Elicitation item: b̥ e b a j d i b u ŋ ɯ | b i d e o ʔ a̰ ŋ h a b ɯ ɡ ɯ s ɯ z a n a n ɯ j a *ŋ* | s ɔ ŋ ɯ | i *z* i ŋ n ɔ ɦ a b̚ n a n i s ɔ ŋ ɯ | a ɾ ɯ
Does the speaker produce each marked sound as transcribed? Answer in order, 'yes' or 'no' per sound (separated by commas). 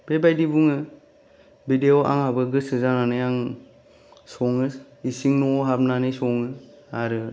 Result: yes, no